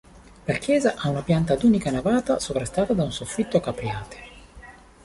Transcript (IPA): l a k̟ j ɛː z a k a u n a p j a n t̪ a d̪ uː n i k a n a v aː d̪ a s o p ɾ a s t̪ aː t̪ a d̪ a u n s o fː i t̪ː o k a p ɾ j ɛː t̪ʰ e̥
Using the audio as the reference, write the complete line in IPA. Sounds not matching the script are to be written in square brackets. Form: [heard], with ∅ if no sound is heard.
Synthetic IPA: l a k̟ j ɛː z a [ʔ] a u n a p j a n t̪ a d̪ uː n i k a n a v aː [t̪] a s o p ɾ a s t̪ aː t̪ a d̪ a u n s o fː i t̪ː o k a p ɾ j [aː] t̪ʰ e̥